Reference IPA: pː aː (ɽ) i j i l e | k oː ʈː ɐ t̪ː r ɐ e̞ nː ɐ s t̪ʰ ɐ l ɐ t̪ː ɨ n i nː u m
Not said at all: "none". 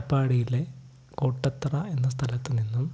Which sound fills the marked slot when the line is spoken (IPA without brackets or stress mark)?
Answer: ɽ